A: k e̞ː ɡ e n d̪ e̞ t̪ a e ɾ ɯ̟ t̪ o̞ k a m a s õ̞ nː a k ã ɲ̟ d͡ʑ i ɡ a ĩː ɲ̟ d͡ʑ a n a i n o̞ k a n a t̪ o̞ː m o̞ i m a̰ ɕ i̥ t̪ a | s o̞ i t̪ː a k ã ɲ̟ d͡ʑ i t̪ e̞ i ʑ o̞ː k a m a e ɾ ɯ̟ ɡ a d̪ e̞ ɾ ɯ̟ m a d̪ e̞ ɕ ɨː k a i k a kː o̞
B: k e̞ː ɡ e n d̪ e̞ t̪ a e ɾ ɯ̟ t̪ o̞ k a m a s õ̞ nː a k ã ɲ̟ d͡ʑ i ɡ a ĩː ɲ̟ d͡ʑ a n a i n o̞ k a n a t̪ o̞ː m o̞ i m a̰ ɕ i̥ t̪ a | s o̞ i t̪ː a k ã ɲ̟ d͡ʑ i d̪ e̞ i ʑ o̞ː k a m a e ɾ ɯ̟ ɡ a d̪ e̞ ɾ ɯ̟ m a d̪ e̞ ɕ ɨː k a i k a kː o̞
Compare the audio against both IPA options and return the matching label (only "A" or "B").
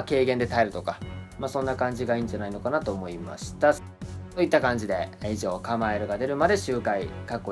B